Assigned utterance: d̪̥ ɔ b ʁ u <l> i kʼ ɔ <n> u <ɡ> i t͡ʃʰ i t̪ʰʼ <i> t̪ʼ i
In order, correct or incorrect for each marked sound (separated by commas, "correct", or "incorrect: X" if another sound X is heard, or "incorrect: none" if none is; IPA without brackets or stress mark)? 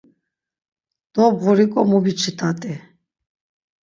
incorrect: ɾ, incorrect: m, incorrect: b, incorrect: a